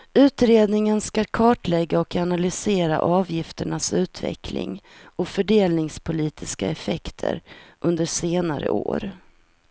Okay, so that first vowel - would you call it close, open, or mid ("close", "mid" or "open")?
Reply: close